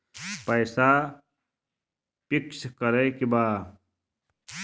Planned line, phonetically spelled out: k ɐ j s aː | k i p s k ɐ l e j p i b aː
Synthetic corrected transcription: p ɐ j s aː | p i k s k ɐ ɾ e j k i b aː